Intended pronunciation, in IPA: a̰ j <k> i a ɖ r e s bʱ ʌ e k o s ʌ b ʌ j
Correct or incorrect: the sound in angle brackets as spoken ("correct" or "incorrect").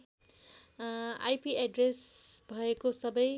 incorrect